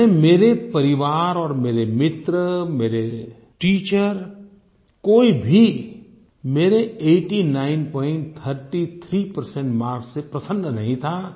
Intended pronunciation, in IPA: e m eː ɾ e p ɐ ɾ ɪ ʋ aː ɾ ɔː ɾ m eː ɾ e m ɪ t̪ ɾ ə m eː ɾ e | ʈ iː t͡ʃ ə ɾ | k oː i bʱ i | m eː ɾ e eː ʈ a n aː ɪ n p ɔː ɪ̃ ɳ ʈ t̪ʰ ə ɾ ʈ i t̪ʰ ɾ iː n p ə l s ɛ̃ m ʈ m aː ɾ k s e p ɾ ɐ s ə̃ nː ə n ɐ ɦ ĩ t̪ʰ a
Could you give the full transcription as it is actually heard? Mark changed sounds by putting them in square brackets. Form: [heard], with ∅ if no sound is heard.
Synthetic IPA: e m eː ɾ e p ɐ ɾ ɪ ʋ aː ɾ ɔː ɾ m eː ɾ e m ɪ t̪ ɾ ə m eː ɾ e | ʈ iː t͡ʃ ə ɾ | k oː i bʱ i | m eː ɾ e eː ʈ [i] n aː ɪ n p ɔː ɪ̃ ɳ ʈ t̪ʰ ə ɾ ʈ i t̪ʰ ɾ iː [∅] p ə [ɾ] s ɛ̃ [ɳ] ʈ m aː ɾ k s e p ɾ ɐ s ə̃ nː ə n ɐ ɦ ĩ t̪ʰ a